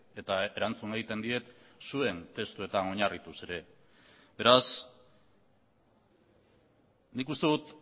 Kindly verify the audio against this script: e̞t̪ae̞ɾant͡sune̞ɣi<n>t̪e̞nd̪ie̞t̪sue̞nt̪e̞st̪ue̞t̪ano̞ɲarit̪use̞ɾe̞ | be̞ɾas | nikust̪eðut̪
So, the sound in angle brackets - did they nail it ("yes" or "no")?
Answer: no